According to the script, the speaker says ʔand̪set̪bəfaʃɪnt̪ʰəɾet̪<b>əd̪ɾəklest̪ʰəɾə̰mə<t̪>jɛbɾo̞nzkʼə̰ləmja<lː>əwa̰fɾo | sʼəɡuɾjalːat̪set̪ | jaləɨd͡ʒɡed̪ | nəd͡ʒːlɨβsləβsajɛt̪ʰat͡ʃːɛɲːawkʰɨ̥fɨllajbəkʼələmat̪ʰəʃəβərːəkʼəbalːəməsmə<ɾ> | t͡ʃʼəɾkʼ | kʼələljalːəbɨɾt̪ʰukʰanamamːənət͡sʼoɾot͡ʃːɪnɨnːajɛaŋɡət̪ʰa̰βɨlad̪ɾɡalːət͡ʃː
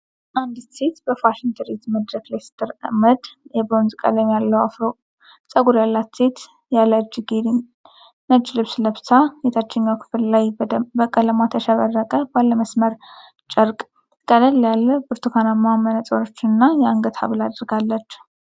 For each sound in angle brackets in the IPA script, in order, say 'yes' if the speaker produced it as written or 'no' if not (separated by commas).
no, no, yes, yes